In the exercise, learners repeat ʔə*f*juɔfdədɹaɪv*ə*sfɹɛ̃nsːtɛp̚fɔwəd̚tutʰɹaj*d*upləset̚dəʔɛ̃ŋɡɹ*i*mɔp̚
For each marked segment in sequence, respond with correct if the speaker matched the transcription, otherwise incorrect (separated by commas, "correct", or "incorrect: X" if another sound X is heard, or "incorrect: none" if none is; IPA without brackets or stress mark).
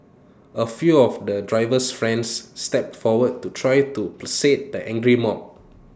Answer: correct, correct, incorrect: t, correct